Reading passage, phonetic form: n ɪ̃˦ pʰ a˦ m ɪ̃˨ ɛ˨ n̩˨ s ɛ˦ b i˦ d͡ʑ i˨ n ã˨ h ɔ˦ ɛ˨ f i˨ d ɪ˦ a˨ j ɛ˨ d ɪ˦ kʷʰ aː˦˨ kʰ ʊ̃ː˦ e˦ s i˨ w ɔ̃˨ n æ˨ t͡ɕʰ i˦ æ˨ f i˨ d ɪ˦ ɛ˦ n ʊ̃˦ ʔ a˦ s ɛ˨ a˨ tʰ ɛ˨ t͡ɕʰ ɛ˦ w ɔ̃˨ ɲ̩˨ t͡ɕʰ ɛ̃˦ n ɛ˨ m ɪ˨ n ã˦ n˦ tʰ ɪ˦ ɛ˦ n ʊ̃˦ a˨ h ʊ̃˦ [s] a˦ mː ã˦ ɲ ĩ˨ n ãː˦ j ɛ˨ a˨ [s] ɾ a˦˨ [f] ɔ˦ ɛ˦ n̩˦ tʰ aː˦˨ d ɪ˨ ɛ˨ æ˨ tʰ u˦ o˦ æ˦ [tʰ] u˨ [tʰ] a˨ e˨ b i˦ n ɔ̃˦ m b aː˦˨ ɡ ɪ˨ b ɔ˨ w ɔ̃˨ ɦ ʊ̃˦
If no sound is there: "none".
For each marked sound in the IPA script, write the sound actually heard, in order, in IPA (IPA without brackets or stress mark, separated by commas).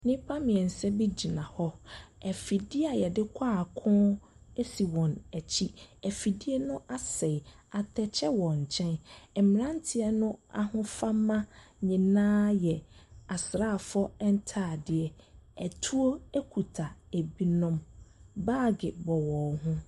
f, s, f, kʰ, tʰ